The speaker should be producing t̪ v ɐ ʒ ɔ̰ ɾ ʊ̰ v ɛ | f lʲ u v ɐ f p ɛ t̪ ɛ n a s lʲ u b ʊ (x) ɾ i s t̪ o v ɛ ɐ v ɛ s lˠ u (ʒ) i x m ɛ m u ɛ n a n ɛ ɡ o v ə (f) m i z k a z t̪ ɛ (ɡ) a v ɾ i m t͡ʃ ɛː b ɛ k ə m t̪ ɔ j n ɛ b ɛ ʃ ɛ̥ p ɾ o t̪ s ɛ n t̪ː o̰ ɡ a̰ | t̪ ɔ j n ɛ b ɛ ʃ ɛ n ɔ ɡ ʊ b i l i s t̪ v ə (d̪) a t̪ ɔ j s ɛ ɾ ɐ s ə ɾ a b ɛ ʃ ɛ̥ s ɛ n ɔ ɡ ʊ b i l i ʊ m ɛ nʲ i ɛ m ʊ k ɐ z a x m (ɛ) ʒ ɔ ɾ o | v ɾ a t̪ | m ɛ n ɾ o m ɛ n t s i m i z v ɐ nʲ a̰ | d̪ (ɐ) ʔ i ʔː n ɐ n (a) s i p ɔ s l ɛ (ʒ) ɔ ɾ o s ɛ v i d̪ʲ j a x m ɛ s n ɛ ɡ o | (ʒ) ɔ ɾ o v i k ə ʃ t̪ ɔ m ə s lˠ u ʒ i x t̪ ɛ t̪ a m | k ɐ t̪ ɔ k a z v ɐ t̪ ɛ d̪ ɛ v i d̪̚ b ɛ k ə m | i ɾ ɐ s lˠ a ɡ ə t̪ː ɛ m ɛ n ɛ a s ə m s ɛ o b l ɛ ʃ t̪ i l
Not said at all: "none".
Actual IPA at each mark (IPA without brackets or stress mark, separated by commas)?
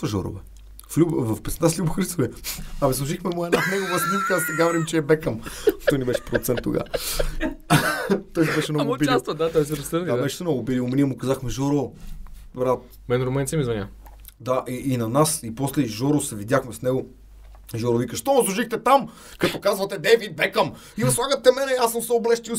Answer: x, ʒ, s, ɡ, d̪, ɛ, a, a, ʒ, ʒ